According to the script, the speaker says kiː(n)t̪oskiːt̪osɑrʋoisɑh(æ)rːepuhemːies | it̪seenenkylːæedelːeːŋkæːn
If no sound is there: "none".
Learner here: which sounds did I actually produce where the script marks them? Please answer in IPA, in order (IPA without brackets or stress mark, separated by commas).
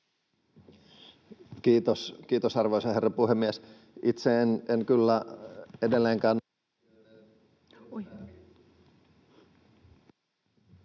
none, e